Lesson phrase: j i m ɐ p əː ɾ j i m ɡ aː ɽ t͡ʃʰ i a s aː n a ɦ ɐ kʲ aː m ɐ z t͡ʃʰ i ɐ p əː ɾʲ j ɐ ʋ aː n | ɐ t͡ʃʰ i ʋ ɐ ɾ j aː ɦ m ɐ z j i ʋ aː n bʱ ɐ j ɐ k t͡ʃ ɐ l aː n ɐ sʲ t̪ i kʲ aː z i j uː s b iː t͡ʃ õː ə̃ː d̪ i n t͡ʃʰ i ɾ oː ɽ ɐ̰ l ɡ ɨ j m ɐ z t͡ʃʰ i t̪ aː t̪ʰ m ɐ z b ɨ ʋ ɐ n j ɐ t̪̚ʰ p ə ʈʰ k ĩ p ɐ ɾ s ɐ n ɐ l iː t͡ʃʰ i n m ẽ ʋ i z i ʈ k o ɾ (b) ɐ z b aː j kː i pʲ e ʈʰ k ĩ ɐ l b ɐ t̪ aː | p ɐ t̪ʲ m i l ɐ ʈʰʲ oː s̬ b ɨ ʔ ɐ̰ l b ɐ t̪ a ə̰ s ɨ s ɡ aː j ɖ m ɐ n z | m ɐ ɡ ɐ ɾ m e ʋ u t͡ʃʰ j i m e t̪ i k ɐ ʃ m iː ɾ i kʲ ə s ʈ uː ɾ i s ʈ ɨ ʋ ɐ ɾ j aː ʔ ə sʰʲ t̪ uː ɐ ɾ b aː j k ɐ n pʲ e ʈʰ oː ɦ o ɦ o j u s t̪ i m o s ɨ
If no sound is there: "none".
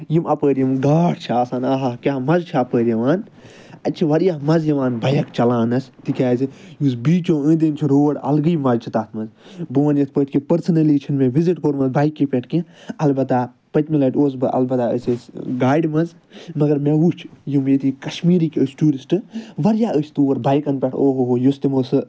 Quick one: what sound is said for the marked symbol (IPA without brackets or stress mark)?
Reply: m